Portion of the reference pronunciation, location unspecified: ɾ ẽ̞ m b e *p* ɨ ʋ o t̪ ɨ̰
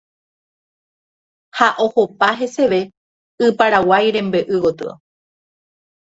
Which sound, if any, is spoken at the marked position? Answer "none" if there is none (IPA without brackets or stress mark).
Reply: ʔ